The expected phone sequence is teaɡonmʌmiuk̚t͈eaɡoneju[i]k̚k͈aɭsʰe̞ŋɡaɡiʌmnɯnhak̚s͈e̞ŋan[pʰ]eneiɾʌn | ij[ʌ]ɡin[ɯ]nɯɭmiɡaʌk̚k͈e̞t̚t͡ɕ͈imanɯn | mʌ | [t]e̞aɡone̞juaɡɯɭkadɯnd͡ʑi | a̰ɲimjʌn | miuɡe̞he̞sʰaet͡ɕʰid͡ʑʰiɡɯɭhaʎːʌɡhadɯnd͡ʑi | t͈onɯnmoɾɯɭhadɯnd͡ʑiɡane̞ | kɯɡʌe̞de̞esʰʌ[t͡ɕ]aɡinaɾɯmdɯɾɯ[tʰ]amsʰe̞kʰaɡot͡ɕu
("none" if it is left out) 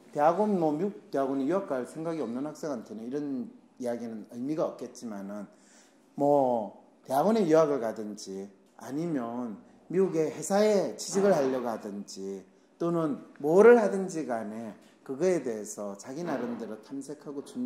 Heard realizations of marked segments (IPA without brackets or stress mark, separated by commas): a, tʰ, a, ɯ, t, t͡ɕ, tʰ